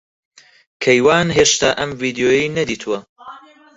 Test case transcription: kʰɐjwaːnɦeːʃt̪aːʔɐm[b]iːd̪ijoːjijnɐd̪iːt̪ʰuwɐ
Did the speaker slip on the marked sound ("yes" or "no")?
yes